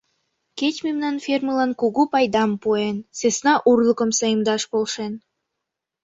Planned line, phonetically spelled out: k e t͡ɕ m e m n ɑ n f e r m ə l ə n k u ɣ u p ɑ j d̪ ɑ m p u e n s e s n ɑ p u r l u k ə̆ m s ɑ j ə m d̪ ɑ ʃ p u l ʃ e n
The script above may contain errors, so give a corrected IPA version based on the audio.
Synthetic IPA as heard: k e t͡ɕ m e m n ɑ n f e r m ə l ɑ n k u ɣ u p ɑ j d̪ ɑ m p u e n s e s n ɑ ʔ u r l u k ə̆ m s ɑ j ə m d̪ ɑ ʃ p o l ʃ e n